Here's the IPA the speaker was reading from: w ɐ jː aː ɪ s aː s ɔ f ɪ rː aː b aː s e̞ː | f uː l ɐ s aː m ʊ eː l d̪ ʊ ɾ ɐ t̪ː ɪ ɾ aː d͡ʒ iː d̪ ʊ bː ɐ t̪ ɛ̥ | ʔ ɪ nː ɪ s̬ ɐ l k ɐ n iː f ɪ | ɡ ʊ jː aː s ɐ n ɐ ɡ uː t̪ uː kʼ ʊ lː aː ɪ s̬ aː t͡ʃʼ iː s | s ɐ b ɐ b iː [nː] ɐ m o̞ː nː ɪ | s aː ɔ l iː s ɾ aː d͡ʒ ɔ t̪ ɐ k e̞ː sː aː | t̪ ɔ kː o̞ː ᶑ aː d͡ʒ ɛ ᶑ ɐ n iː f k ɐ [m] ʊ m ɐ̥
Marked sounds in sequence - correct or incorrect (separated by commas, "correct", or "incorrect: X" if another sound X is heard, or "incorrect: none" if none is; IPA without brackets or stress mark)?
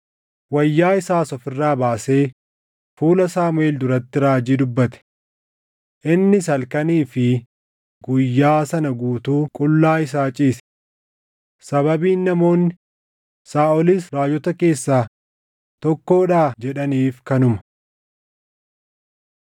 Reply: correct, incorrect: n